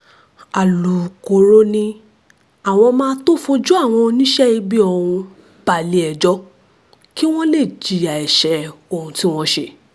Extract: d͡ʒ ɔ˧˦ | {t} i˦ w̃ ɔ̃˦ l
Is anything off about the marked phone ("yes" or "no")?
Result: yes